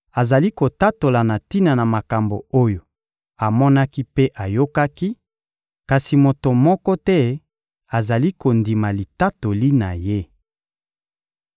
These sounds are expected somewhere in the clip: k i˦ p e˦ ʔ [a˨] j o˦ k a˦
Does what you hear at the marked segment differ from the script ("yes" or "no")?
no